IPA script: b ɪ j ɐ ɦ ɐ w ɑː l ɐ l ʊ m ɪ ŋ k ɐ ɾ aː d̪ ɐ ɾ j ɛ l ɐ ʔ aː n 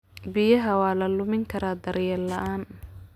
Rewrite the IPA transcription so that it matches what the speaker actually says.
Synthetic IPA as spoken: b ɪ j ɐ ɦ ɐ w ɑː l ɐ l ʊ m ɪ ŋ kʰ ɐ ɾ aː d̪ ɐ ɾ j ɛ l ɐ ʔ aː n